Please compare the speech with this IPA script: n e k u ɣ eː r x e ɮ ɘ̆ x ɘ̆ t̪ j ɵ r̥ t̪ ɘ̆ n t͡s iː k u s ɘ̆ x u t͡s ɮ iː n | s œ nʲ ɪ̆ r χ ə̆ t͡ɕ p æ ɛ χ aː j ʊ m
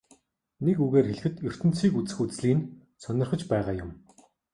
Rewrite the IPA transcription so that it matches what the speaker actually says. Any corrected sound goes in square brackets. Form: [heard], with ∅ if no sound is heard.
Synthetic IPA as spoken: n e k u ɣ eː r x e ɮ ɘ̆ x ɘ̆ t̪ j ɵ r̥ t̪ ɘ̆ n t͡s iː k u [t͡s] ɘ̆ x u t͡s ɮ iː n | s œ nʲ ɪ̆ r χ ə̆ t͡ɕ p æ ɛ [ʁ] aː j ʊ m